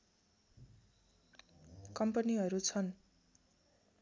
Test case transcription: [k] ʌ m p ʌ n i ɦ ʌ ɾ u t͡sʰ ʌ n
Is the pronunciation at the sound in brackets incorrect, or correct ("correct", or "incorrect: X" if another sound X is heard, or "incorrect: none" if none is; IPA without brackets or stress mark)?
correct